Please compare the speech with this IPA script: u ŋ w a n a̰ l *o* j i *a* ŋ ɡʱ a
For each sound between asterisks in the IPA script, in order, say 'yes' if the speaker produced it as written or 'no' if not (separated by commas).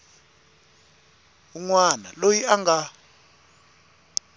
yes, yes